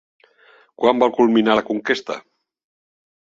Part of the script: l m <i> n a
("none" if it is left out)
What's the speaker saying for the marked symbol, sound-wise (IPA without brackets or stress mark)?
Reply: i